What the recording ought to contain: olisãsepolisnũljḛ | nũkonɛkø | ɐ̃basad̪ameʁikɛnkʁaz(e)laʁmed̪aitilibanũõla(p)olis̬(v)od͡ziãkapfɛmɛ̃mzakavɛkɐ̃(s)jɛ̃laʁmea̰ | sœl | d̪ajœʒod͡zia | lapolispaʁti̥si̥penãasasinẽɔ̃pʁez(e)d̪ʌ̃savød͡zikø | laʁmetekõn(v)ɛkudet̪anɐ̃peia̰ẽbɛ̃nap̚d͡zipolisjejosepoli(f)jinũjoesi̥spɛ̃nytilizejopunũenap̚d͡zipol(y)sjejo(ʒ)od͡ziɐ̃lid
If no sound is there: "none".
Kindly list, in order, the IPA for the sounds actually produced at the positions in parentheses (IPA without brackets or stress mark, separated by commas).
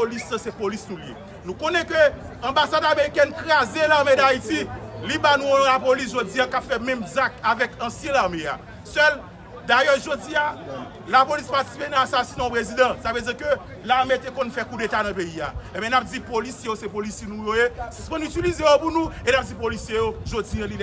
e, p, ʒ, s, i, f, s, i, ʒ